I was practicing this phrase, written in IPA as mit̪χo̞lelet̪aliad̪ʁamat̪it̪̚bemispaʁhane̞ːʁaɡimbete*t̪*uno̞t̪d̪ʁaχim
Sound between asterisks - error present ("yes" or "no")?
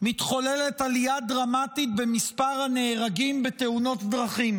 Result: yes